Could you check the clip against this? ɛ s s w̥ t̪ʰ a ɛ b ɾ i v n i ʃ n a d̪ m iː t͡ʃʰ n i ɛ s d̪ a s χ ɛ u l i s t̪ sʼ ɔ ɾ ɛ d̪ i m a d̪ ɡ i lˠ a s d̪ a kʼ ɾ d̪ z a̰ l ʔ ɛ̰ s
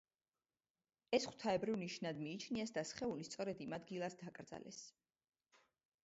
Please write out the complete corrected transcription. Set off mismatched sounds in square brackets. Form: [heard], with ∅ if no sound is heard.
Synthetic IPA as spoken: ɛ s [χ] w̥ t̪ʰ a ɛ b ɾ i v n i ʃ n a d̪ m iː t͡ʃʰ n i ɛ s d̪ a s χ ɛ u l i s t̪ sʼ ɔ ɾ ɛ d̪ i m a d̪ ɡ i lˠ a s d̪ a kʼ ɾ d̪ z a̰ l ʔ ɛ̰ s